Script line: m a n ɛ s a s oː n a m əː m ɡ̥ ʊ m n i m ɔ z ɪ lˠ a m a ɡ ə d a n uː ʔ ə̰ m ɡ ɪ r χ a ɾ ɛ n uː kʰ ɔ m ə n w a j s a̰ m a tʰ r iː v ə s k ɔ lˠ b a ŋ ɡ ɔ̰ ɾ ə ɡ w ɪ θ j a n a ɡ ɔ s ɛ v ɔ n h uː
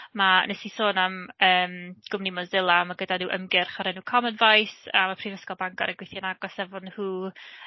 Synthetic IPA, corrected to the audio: m a n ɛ s i s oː n a m əː m ɡ̥ ʊ m n i m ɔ z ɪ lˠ a m a ɡ ə d a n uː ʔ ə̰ m ɡ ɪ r χ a ɾ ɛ n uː kʰ ɔ m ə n v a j s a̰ m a pʰ r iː v ə s k ɔ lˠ b a ŋ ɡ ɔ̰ ɾ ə ɡ w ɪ θ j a n a ɡ ɔ s ɛ v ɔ n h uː